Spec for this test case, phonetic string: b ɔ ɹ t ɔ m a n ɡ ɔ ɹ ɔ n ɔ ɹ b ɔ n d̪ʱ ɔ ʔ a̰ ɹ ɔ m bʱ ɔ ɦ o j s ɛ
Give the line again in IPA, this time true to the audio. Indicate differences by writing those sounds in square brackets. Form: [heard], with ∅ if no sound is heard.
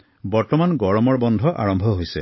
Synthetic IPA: b ɔ ɹ t ɔ m a n ɡ ɔ ɹ ɔ [m] ɔ ɹ b ɔ n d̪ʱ ɔ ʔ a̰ ɹ ɔ m bʱ ɔ ɦ o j s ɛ